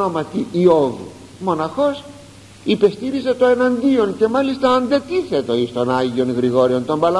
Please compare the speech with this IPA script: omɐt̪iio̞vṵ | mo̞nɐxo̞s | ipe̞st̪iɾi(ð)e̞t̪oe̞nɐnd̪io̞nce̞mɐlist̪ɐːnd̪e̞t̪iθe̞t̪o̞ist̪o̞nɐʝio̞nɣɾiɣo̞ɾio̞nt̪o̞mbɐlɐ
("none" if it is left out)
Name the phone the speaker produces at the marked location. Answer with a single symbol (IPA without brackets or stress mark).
z